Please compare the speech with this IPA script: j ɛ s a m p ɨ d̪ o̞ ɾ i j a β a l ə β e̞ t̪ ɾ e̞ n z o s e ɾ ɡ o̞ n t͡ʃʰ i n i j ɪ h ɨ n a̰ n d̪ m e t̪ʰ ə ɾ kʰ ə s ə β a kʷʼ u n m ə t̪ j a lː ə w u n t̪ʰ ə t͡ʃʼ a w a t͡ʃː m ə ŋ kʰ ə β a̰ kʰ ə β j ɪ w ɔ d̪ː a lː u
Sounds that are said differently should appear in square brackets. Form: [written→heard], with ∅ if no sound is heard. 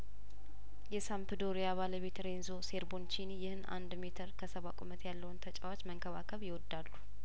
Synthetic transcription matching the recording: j ɛ s a m p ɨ d̪ o̞ ɾ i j a β a l ə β e̞ t̪ ɾ e̞ n z o s e ɾ [ɡ→b] o̞ n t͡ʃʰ i n i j ɪ h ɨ n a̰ n d̪ m e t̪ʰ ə ɾ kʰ ə s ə β a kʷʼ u [n→∅] m ə t̪ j a lː ə w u n t̪ʰ ə t͡ʃʼ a w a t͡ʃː m ə ŋ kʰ ə β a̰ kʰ ə β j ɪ w ɔ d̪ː a lː u